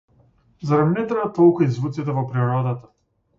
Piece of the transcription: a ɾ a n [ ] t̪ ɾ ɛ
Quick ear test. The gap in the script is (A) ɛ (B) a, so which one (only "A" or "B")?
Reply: A